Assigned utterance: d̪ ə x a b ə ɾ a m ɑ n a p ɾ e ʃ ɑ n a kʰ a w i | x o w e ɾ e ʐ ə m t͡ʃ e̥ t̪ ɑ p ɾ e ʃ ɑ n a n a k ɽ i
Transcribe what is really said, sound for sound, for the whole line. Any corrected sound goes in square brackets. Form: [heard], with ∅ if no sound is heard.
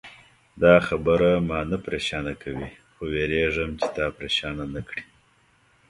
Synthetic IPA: d̪ [ɑ] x a b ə ɾ a m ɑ n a p ɾ e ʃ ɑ n a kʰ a w i | x o w e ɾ e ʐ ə m t͡ʃ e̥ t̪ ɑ p ɾ e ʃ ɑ n a n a k ɽ i

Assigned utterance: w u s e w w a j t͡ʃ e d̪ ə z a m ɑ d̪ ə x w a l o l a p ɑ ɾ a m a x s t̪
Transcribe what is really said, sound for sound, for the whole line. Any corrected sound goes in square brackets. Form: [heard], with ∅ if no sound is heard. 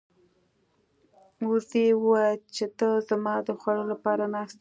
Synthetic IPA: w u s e w w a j t͡ʃ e [t̪] ə z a m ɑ d̪ ə x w a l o l a p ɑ ɾ a [n] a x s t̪

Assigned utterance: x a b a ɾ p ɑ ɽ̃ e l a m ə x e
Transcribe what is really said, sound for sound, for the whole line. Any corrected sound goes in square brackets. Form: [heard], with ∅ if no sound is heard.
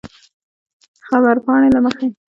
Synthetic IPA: x a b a ɾ p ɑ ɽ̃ e l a m ə x e

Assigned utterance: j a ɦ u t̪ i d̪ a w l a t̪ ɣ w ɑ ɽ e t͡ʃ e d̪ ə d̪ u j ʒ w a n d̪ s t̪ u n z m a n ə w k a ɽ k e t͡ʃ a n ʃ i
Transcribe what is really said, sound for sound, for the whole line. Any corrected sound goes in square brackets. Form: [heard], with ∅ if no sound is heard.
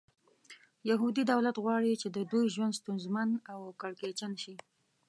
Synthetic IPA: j a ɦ u [d̪] i d̪ a w l a t̪ ɣ w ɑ ɽ [i] t͡ʃ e d̪ ə d̪ u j ʒ w a n d̪ s t̪ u n z m a n [a] w k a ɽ k e t͡ʃ a n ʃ i

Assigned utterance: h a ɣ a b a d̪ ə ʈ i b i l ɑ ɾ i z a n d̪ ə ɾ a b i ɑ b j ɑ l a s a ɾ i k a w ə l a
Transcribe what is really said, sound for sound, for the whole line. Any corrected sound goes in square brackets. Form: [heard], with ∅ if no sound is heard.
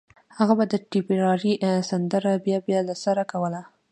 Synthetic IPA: h a ɣ a b a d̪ ə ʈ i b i [ɾ] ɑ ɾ i [s] a n d̪ ə ɾ a b [j] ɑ b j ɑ l a s a ɾ [a] k a w ə l a

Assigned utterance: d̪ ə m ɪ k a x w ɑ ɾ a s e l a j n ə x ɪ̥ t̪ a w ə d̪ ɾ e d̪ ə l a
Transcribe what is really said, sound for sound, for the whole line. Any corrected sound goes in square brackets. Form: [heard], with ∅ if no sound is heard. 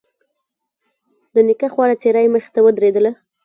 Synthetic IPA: d̪ ə [n] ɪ k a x w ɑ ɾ a [t͡s] e [ɾ] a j [m] ə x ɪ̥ t̪ a w ə d̪ ɾ e d̪ ə l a

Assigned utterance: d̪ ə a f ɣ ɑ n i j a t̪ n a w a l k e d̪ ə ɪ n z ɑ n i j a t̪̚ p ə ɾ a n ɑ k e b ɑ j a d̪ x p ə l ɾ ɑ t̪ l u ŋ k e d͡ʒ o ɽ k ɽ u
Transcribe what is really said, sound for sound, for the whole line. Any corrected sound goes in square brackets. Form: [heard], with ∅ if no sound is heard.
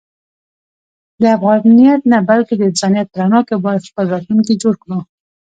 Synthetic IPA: d̪ ə a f ɣ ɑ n i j a t̪ n a [b] a l k e d̪ ə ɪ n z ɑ n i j a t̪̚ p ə ɾ a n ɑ k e b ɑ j a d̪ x p ə l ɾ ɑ t̪ l u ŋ k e d͡ʒ o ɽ k ɽ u

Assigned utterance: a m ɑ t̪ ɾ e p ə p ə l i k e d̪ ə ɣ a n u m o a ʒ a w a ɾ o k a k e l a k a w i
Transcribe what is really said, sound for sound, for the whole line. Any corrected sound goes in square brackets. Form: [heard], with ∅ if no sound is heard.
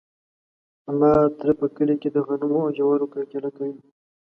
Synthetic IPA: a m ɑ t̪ ɾ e p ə [k] ə l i k e d̪ ə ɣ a n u m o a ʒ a w a ɾ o k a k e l a k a w i

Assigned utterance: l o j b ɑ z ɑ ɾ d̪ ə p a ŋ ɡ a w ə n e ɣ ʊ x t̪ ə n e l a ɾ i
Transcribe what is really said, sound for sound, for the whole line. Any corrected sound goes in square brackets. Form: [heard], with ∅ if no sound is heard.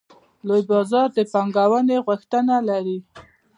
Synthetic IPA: l o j b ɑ z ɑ ɾ d̪ ə p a ŋ ɡ a w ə n e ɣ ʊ x t̪ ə n [a] l a ɾ i

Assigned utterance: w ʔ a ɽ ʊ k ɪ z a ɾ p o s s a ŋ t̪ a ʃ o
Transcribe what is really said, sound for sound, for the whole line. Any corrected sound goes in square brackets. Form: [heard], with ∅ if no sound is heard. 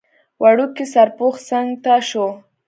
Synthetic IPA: w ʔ a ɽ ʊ k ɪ [s] a ɾ p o [χ] s a ŋ t̪ a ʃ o

